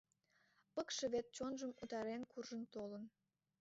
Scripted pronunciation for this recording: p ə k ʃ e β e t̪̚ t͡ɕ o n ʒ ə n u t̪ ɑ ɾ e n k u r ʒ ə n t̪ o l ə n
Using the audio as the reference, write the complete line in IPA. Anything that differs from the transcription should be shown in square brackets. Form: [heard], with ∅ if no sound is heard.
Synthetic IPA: p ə k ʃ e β e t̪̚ t͡ɕ o n ʒ ə [m] u t̪ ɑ ɾ e n k u r ʒ ə n t̪ o l ə n